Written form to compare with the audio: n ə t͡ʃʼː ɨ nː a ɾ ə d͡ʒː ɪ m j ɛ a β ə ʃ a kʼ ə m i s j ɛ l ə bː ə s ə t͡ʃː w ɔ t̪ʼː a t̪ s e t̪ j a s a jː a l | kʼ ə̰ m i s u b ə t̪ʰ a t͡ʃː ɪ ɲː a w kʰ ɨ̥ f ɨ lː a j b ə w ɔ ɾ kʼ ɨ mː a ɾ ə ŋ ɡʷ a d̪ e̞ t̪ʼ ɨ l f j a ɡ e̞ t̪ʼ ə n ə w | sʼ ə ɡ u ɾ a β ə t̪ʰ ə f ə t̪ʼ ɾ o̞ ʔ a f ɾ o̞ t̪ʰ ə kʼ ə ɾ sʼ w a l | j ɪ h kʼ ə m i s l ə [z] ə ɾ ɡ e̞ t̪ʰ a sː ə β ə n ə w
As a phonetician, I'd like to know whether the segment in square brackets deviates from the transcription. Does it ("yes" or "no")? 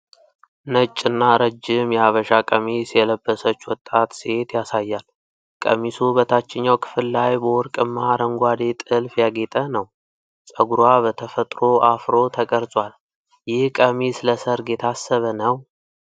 yes